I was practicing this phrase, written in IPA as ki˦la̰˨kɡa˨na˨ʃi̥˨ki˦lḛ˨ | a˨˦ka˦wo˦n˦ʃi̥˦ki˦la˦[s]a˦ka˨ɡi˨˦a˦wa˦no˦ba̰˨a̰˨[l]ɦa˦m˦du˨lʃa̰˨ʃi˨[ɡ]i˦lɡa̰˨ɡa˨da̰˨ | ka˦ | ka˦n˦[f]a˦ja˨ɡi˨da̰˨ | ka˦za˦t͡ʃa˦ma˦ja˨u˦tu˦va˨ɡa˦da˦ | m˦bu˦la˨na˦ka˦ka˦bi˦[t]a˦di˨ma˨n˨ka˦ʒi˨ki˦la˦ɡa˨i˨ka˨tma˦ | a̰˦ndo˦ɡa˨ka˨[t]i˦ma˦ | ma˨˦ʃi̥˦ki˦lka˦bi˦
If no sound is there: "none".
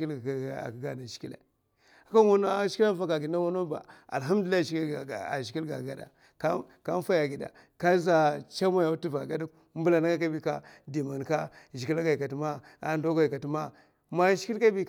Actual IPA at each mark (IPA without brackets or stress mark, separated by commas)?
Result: f, l, k, f, k, t